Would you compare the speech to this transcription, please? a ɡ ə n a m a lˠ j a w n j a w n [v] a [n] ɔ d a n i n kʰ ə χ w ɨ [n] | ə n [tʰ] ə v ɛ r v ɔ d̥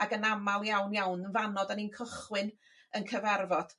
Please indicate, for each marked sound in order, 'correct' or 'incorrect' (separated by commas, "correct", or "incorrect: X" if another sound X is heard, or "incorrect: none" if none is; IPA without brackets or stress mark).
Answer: correct, correct, correct, incorrect: kʰ